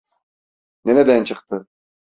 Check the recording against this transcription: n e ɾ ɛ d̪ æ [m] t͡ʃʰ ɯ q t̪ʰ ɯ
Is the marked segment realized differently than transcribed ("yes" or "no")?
yes